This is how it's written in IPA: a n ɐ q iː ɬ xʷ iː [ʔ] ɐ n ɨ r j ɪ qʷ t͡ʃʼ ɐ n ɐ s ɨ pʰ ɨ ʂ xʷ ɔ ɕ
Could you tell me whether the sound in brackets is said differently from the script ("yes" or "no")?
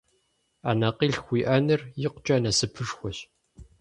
no